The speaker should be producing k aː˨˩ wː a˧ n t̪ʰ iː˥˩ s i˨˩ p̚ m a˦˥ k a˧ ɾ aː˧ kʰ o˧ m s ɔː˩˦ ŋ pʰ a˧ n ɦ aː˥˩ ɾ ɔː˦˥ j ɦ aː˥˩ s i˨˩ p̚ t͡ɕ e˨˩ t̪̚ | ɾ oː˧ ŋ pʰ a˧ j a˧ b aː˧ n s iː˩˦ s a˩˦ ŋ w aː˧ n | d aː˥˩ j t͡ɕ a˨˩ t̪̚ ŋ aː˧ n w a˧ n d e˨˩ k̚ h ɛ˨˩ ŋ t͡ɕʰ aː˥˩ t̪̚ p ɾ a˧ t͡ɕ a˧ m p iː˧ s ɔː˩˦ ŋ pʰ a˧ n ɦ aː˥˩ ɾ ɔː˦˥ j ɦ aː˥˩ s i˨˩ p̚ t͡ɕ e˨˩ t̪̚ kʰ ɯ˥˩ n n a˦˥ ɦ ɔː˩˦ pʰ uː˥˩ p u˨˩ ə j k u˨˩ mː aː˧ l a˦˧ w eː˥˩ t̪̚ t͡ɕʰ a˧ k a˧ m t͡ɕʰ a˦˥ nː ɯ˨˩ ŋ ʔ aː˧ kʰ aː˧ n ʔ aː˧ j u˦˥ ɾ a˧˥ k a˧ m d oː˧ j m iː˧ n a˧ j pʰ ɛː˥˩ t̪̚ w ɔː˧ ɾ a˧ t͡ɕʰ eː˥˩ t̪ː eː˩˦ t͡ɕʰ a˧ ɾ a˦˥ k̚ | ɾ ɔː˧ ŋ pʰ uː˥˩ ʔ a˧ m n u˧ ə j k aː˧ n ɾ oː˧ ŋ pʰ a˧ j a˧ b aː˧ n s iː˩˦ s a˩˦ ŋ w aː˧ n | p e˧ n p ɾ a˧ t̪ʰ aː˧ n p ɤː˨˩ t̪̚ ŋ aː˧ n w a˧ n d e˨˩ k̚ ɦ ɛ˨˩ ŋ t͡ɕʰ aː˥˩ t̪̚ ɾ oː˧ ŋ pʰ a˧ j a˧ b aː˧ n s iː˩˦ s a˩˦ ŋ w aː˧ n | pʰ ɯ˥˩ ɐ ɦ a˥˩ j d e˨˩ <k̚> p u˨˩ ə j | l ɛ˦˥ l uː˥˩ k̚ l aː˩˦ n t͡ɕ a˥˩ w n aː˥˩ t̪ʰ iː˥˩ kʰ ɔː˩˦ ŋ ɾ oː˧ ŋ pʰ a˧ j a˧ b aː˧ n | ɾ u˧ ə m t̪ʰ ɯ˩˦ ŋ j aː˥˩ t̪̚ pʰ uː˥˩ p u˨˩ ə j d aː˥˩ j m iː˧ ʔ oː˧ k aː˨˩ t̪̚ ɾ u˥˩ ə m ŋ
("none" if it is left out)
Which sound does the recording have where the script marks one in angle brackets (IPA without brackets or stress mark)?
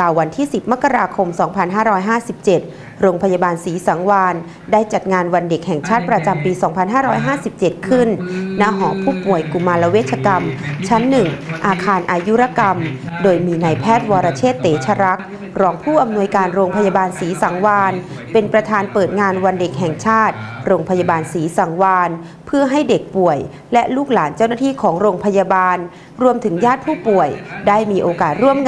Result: k̚